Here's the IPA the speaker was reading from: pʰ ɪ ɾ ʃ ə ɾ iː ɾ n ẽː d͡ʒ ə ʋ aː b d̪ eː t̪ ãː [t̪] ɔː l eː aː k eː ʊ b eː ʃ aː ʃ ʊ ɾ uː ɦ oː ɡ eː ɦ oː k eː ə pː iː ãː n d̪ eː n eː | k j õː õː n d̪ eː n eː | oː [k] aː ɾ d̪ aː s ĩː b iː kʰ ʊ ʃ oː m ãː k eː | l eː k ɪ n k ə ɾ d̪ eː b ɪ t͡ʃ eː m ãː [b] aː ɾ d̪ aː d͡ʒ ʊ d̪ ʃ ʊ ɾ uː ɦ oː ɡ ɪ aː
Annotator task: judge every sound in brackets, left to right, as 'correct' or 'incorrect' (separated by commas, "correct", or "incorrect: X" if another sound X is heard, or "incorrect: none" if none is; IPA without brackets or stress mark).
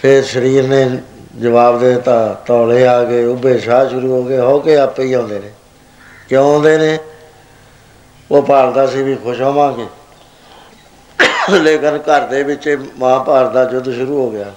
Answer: correct, incorrect: p, incorrect: p